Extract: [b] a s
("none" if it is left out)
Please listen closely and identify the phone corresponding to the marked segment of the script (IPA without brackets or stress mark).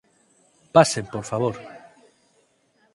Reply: p